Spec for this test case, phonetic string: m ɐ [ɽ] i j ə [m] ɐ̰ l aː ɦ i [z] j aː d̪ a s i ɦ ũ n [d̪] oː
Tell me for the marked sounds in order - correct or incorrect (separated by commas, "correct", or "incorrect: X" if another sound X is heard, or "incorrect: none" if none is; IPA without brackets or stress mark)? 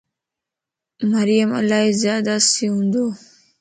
incorrect: ɾ, correct, correct, correct